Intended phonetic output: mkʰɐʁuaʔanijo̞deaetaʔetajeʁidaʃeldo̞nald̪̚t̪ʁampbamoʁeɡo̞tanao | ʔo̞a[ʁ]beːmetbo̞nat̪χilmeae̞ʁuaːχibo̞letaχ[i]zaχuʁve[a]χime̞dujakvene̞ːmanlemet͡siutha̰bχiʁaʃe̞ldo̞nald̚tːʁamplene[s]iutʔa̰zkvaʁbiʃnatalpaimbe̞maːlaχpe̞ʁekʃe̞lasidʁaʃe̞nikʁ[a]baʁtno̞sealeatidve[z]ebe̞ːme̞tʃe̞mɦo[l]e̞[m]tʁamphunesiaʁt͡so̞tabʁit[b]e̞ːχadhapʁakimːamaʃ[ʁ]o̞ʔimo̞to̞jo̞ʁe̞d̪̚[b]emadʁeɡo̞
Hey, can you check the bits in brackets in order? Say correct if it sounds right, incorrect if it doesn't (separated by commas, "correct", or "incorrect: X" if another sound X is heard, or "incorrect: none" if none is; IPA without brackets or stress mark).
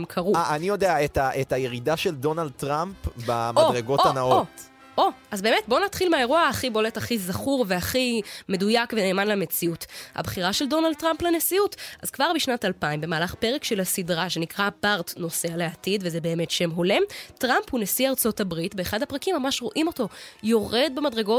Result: incorrect: z, correct, correct, correct, correct, correct, correct, correct, correct, correct, correct